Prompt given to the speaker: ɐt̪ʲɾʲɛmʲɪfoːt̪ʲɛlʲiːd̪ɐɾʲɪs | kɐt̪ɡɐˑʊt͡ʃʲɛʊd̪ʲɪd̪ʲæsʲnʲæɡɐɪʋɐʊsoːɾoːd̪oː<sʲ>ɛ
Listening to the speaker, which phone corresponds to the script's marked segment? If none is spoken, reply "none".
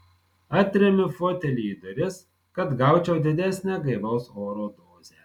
zʲ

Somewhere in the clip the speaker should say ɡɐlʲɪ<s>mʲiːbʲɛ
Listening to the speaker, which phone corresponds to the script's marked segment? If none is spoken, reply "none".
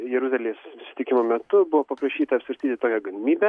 none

